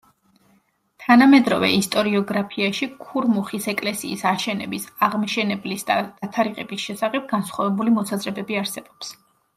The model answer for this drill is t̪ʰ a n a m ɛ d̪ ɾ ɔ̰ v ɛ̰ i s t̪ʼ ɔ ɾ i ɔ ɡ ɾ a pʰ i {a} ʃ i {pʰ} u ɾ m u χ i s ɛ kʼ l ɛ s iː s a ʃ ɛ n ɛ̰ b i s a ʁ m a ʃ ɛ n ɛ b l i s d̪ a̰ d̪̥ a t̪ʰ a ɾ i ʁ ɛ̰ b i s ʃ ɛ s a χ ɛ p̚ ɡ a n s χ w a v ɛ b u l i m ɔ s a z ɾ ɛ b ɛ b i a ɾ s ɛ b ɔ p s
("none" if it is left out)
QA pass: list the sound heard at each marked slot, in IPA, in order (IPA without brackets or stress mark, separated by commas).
a, kʰ